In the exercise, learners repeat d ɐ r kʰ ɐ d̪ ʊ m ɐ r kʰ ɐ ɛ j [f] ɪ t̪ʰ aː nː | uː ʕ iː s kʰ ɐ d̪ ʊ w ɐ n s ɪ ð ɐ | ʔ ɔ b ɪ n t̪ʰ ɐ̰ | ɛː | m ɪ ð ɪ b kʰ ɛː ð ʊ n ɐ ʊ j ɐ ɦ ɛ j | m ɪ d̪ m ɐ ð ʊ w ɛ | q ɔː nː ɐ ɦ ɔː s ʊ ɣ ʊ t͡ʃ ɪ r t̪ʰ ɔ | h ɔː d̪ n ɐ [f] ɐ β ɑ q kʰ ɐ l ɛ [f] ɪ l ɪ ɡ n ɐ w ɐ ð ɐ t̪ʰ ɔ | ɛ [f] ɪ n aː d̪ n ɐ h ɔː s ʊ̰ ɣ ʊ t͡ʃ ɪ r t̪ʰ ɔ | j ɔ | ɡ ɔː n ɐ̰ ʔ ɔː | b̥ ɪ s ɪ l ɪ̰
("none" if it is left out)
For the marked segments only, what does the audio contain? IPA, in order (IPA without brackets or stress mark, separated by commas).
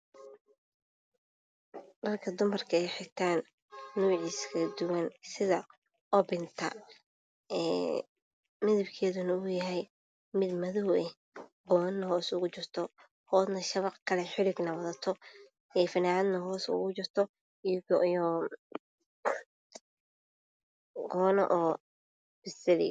ħ, ʃ, ħ, f